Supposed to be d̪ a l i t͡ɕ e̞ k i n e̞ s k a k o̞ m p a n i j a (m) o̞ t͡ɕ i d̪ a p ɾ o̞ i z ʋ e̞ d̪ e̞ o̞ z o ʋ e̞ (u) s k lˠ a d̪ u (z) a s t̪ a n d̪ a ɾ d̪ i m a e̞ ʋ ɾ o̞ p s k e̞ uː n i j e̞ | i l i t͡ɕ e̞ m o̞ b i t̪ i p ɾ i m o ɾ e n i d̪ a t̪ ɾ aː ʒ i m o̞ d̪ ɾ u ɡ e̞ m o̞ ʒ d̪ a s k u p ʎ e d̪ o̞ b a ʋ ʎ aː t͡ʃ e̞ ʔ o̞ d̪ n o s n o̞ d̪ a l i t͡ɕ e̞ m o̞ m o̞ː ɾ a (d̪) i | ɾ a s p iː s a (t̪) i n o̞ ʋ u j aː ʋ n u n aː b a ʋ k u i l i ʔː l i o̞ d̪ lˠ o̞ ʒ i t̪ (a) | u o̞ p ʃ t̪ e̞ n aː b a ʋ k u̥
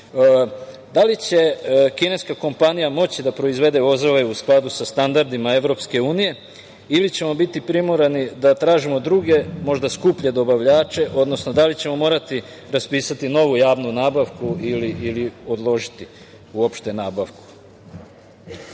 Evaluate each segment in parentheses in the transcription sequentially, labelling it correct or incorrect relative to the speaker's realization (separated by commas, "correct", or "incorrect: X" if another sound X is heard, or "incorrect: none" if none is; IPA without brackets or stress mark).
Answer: correct, correct, incorrect: s, incorrect: t̪, correct, incorrect: i